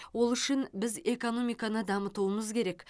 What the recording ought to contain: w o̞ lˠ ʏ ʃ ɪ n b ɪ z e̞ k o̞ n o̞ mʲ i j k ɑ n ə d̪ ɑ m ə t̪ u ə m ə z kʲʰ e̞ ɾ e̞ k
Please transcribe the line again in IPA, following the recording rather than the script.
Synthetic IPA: w o̞ lˠ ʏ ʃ ɪ n b ɪ z e̞ k o̞ n o̞ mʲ i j k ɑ n ə d̪ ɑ m ə t̪ u ə m ə z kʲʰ e̞ ɾ e̞ k